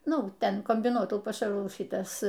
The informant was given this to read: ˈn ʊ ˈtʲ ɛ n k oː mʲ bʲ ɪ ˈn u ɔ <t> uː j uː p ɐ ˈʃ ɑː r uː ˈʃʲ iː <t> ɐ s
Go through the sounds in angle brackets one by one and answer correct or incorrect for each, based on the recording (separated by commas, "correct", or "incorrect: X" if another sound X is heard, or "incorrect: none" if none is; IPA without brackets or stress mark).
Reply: correct, correct